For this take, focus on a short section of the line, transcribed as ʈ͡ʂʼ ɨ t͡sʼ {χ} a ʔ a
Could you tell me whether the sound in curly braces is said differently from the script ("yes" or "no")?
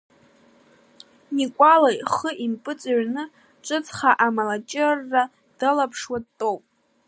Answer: no